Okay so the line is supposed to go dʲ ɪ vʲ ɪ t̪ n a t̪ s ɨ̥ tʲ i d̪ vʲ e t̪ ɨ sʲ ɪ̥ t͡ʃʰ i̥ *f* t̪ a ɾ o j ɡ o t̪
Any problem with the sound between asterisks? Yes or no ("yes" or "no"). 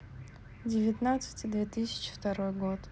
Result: no